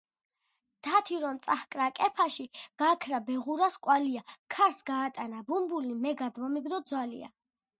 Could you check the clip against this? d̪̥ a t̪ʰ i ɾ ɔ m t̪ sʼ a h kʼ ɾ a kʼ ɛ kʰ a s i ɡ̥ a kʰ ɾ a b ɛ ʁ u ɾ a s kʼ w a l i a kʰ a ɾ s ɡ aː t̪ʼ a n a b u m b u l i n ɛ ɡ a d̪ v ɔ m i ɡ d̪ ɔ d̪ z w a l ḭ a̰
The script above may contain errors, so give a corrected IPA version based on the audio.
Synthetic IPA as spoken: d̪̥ a t̪ʰ i ɾ ɔ m t̪ sʼ a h kʼ ɾ a kʼ ɛ pʰ a ʃ i ɡ̥ a kʰ ɾ a b ɛ ʁ u ɾ a s kʼ w a l i a kʰ a ɾ s ɡ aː t̪ʼ a n a b u m b u l i m ɛ ɡ a d̪ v ɔ m i ɡ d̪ ɔ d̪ z w a l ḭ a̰